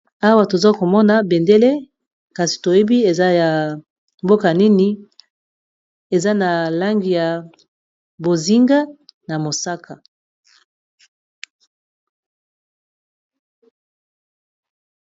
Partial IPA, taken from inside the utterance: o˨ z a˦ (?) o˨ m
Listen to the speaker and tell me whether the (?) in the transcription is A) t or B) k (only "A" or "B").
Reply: B